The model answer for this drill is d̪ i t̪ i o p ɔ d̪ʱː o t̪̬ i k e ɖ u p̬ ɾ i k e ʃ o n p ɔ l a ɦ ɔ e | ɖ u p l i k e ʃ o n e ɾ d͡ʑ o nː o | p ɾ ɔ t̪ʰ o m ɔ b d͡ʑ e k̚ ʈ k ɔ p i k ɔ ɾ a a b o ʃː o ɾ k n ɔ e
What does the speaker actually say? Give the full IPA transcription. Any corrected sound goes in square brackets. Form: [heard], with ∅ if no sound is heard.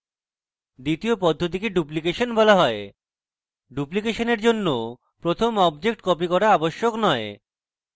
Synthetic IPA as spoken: d̪ i t̪ i o p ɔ d̪ʱː o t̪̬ i k e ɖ u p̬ [l] i k e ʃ o n [b] ɔ l a ɦ ɔ e | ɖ u p l i k e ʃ o n e ɾ d͡ʑ o nː o | p ɾ [o] t̪ʰ o m ɔ b d͡ʑ e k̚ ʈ k ɔ p i k ɔ ɾ a a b o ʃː o [∅] k n ɔ e